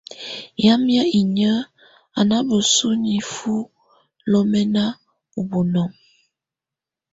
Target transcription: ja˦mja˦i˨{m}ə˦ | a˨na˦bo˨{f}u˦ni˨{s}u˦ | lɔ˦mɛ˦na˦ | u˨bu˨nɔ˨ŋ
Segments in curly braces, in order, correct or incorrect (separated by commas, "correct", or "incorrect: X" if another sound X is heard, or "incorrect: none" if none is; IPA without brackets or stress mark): incorrect: ɲ, incorrect: s, incorrect: f